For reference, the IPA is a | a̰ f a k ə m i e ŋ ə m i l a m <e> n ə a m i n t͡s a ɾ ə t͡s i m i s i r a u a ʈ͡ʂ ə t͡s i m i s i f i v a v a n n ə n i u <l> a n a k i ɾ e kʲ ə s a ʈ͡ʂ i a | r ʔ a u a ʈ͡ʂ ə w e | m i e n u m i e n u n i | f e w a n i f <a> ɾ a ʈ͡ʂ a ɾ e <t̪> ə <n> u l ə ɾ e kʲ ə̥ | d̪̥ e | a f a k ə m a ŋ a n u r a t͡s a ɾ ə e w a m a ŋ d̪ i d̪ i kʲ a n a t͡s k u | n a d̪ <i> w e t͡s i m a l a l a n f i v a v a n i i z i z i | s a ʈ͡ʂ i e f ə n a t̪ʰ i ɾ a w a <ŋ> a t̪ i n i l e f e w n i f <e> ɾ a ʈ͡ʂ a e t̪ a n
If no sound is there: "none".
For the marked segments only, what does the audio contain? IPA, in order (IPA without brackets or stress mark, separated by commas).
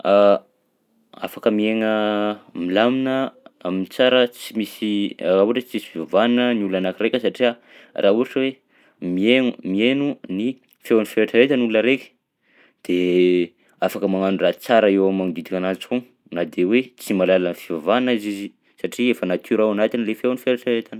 i, l, e, t̪, n, e, n, e